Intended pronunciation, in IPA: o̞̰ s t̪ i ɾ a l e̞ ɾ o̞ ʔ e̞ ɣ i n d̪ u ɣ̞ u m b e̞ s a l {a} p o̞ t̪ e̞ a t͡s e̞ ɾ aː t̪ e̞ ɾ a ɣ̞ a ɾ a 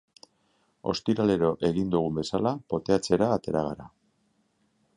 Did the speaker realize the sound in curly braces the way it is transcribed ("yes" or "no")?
yes